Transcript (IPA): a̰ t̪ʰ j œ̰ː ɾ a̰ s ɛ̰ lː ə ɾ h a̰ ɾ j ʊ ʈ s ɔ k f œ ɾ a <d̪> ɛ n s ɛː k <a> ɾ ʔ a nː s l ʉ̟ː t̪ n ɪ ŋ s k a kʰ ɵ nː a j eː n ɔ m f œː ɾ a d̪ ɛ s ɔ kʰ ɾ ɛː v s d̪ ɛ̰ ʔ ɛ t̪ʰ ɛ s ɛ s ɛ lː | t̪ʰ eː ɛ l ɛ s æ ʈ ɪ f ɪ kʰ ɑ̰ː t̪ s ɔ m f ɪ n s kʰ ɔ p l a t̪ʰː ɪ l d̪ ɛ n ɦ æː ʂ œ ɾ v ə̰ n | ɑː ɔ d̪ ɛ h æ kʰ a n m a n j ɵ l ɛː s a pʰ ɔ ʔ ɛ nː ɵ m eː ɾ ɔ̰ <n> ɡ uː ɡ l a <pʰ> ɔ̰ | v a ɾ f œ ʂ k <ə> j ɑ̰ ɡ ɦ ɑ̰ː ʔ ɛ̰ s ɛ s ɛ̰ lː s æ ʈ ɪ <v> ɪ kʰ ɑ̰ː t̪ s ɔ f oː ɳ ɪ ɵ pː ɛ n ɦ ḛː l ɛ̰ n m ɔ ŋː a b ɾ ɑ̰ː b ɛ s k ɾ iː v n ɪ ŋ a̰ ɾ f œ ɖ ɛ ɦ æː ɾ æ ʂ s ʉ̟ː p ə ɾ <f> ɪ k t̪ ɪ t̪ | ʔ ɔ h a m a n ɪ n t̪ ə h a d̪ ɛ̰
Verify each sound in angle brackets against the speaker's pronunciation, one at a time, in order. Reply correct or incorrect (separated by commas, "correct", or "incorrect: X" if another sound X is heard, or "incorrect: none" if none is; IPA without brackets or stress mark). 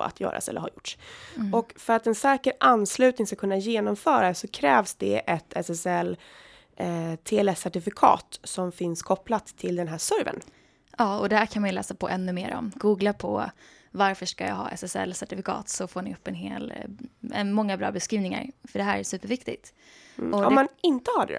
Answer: incorrect: t̪, incorrect: ə, incorrect: m, correct, incorrect: a, incorrect: f, incorrect: v